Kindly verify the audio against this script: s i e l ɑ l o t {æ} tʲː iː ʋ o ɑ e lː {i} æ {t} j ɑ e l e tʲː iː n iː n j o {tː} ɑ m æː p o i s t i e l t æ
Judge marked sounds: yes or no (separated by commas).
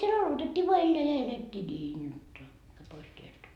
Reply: no, no, no, yes